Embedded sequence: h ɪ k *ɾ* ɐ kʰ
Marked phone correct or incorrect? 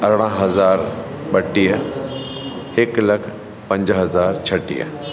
incorrect